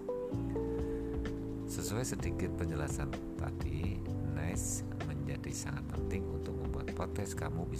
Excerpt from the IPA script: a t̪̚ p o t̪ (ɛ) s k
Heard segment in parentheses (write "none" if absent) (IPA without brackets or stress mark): ɛ